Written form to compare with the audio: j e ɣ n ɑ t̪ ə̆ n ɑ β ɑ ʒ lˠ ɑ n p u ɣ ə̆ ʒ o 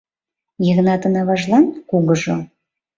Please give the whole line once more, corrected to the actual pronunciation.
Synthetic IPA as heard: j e ɣ n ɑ t̪ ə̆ n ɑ β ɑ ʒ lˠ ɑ n k u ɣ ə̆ ʒ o